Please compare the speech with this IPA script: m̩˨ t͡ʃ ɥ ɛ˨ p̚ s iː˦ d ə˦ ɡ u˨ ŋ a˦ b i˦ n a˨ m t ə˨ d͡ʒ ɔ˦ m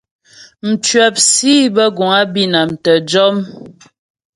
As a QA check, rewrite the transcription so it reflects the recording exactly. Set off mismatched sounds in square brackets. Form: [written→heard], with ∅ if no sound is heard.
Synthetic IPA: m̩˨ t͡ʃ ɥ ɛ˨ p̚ s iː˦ [d→b] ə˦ ɡ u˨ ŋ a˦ b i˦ n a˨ m t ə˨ d͡ʒ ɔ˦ m

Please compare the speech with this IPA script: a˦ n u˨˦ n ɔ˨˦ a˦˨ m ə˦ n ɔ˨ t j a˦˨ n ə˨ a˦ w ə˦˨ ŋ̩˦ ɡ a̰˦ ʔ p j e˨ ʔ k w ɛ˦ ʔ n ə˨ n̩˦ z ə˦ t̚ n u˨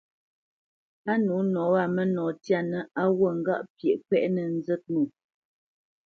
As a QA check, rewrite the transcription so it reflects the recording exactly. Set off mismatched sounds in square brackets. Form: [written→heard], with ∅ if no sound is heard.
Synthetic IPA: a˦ n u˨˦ n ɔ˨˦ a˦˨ m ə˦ n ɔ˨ t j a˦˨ n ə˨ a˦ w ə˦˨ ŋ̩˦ ɡ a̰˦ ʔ p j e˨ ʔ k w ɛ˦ ʔ n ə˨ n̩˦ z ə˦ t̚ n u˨

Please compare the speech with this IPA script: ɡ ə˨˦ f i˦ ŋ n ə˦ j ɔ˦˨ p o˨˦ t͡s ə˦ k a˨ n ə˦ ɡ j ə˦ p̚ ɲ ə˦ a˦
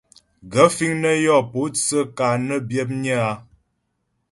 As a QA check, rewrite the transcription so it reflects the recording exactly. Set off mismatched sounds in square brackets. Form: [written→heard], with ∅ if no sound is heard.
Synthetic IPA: ɡ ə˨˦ f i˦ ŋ n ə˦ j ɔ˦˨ p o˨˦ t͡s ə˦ k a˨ n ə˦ [ɡ→b] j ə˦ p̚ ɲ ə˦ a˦

